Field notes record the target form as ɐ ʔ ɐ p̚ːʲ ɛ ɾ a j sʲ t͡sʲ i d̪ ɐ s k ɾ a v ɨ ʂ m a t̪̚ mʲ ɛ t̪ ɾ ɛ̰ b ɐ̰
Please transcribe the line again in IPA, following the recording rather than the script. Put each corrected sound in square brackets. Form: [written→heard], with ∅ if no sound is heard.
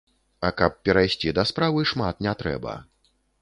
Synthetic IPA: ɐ [ʔ→k] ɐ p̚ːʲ ɛ ɾ a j sʲ t͡sʲ i d̪ ɐ s [k→p] ɾ a v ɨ ʂ m a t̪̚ [mʲ→nʲ] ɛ t̪ ɾ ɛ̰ b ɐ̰